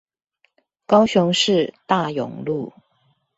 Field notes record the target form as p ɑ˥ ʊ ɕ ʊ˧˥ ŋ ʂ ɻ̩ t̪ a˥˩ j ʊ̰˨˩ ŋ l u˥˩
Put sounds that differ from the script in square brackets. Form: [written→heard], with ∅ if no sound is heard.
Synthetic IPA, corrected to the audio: [p→k] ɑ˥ ʊ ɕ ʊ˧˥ ŋ ʂ ɻ̩ t̪ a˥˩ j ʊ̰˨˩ ŋ l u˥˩